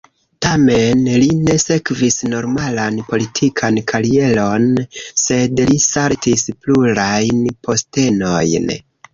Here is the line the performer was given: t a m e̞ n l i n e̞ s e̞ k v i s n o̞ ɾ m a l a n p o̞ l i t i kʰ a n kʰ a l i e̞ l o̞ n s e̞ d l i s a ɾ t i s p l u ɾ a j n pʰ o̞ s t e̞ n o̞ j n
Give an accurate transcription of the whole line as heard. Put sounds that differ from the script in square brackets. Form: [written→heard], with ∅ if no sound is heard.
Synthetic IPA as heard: t a m e̞ n l i n e̞ s e̞ k v i s n o̞ ɾ m a l a n p o̞ l i [t→tʰ] i kʰ a n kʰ a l i e̞ l o̞ n s e̞ d l i s a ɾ t i s p l u ɾ a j n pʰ o̞ s t e̞ n o̞ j n